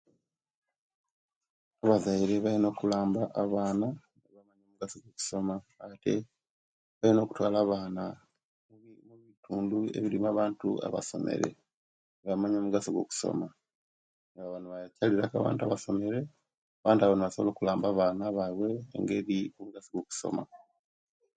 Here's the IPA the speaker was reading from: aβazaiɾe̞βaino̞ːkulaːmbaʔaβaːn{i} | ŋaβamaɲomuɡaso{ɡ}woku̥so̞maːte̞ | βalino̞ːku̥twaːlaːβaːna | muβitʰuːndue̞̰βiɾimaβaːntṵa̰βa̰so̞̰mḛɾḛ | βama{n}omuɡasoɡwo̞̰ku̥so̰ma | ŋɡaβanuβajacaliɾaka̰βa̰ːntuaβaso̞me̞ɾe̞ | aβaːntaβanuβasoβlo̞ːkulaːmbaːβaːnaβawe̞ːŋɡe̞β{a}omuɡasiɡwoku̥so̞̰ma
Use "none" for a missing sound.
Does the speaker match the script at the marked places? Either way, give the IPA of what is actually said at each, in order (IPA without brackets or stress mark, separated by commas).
a, ɡ, ɲ, i